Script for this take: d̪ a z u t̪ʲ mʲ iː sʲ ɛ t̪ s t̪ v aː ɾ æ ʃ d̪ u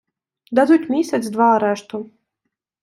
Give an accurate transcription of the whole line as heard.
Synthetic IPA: d̪ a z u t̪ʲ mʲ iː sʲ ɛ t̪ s d̪ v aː ɾ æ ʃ t̪ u